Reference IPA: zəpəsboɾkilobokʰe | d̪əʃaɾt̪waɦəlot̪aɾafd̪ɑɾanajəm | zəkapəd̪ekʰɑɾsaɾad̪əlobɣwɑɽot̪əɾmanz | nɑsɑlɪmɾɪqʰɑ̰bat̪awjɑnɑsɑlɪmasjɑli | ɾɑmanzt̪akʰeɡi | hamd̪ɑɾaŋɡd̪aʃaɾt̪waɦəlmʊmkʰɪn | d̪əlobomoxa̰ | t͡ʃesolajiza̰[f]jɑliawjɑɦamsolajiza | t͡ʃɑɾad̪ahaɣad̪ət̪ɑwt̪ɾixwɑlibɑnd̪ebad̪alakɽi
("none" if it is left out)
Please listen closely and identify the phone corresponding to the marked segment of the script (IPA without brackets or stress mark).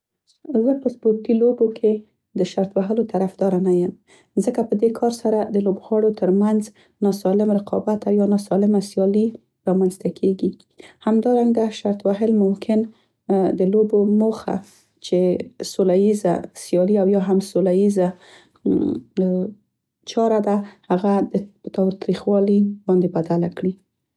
s